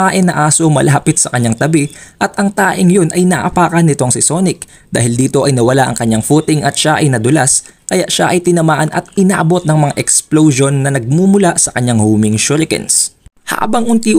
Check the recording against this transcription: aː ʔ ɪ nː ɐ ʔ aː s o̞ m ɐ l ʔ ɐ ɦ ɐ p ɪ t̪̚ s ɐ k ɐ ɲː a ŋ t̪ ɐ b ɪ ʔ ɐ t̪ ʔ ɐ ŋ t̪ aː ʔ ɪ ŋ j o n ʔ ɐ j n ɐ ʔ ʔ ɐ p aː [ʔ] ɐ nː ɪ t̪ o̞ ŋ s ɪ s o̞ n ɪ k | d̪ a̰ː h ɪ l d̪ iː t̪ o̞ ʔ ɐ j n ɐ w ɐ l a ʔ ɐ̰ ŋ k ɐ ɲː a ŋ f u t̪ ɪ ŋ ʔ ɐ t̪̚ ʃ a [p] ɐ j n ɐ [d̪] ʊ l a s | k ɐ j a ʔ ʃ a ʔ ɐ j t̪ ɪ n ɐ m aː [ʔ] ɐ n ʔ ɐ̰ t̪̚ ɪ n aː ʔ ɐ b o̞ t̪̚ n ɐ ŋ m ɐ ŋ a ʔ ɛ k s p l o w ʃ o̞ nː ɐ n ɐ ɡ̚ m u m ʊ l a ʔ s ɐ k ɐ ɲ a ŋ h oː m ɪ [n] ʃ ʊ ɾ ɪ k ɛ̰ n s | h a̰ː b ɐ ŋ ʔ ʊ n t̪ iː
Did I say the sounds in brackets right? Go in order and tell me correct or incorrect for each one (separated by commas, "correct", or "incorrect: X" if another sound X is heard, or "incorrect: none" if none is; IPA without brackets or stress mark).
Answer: incorrect: k, incorrect: ʔ, correct, correct, incorrect: ŋ